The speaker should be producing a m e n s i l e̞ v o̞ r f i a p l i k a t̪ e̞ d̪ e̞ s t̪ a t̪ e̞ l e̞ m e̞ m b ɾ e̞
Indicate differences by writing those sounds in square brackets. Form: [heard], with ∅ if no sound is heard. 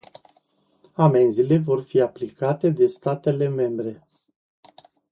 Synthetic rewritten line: a m e n [z] i l e̞ v o̞ r f i a p l i k a t̪ e̞ d̪ e̞ s t̪ a t̪ e̞ l e̞ m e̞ m b ɾ e̞